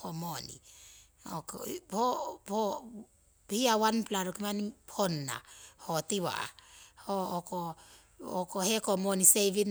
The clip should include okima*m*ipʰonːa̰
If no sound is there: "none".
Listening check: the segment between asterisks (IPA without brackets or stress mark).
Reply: n